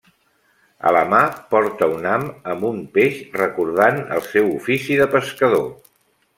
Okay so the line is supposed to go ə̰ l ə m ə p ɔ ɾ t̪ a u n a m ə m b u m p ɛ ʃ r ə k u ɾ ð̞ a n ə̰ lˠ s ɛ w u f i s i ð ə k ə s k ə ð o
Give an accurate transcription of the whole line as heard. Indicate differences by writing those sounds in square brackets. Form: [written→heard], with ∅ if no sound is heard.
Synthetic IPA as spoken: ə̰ l ə m [ə→a] p ɔ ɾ t̪ [a→ə] u n a m ə m b u m p [ɛ→e] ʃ r ə k u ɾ ð̞ a n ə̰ lˠ s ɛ w u f i s i ð ə [k→p] ə s k ə ð o